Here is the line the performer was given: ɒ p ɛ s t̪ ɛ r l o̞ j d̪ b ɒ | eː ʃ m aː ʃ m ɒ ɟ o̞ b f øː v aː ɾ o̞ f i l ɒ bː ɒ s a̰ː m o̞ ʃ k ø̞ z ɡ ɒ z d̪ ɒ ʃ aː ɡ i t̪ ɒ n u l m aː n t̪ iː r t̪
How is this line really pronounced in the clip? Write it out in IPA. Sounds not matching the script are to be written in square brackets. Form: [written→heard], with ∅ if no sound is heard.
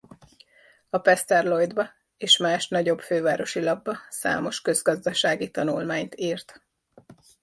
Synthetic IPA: ɒ p ɛ s t̪ ɛ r l o̞ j d̪ b ɒ | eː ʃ m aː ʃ [m→n] ɒ ɟ o̞ b f øː v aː ɾ o̞ [f→ʃ] i l ɒ bː ɒ s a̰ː m o̞ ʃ k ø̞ z ɡ ɒ z d̪ ɒ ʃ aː ɡ i t̪ ɒ n u l m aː [n→ɲ] t̪ iː r t̪